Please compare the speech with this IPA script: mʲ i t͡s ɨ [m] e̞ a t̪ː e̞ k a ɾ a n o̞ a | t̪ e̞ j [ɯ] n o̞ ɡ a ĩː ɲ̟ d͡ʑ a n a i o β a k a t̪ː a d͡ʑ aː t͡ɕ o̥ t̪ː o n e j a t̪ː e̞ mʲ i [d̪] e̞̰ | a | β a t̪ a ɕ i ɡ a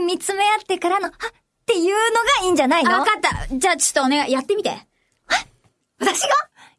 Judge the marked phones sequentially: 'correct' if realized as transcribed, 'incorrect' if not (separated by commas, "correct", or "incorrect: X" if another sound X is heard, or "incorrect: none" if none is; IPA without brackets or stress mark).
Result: correct, incorrect: ɯː, incorrect: t̪